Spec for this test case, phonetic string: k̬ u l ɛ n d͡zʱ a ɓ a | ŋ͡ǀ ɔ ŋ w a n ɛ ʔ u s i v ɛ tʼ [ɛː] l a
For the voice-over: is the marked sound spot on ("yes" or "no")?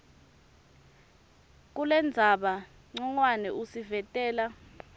yes